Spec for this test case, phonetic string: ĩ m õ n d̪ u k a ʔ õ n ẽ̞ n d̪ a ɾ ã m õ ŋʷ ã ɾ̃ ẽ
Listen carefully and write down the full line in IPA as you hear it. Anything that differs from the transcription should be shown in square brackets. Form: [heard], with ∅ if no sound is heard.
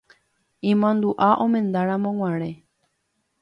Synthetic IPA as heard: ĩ m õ n d̪ u [ʔ] a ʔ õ [m] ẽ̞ n d̪ a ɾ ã m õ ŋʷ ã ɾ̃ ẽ